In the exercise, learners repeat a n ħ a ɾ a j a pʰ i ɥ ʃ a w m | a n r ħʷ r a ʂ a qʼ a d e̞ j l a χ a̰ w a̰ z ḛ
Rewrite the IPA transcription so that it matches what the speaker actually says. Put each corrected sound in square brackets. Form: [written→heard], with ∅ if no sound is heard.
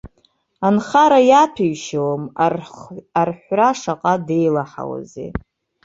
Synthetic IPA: a n [ħ→χ] a ɾ a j a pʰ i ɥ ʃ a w m | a [n→∅] r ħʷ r a ʂ a qʼ a d e̞ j l a [χ→ħ] a̰ w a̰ z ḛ